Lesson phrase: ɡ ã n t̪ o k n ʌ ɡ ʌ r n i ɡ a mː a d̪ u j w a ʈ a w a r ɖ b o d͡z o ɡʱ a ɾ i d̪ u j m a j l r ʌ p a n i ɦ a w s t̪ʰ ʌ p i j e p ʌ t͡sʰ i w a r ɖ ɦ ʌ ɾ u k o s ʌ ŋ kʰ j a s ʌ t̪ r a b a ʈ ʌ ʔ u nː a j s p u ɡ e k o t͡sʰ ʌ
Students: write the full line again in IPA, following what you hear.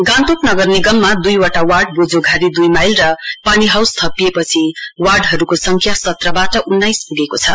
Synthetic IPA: ɡ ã n t̪ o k n ʌ ɡ ʌ r n i ɡ ʌ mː a d̪ u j w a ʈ a w a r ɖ b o d͡z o ɡʱ a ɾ i d̪ u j m a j l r ʌ p a n i ɦ a w s t̪ʰ ʌ p i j e p ʌ t͡sʰ i w a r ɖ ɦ ʌ ɾ u k o s ʌ ŋ kʰ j a s ʌ t̪ r ʌ b a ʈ ʌ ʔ u nː a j s p u ɡ e k o t͡sʰ ʌ